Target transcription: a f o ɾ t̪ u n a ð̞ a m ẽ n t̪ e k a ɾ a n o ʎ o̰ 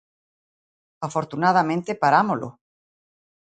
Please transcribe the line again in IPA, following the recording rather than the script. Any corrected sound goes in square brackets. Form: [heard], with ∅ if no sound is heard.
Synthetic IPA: a f o ɾ t̪ u n a ð̞ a m ẽ n t̪ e [p] a ɾ a [m] o [l] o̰